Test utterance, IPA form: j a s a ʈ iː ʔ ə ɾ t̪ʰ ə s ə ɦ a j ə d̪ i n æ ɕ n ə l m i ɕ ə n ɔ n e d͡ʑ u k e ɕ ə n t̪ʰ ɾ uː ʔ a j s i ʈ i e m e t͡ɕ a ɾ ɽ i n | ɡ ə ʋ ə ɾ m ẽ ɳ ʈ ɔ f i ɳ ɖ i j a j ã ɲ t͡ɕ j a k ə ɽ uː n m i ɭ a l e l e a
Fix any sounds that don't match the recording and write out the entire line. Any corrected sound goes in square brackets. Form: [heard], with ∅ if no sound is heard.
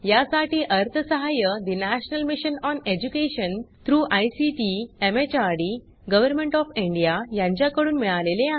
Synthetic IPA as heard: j a s a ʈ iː ʔ ə ɾ t̪ʰ ə s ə ɦ a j ə d̪ i n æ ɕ n ə l m i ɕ ə n ɔ n e d͡ʑ u k e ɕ ə n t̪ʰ ɾ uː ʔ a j s i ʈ i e m e t͡ɕ a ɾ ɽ i [∅] | ɡ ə ʋ ə ɾ m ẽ ɳ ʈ ɔ f i ɳ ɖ i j a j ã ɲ t͡ɕ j a k ə ɽ uː n m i ɭ a l e l e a